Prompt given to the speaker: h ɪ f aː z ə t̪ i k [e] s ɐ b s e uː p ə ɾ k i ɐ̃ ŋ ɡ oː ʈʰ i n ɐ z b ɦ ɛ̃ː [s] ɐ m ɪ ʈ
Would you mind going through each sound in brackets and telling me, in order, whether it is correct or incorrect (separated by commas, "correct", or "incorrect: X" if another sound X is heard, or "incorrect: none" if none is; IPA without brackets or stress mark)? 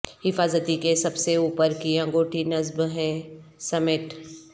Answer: correct, correct